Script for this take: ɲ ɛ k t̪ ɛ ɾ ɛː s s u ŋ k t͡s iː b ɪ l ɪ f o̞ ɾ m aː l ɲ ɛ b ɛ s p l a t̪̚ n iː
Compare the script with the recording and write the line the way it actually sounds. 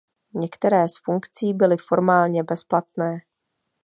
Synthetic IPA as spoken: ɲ ɛ k t̪ ɛ ɾ ɛː s f u ŋ k t͡s iː b ɪ l ɪ f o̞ ɾ m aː l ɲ ɛ b ɛ s p l a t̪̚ n ɛː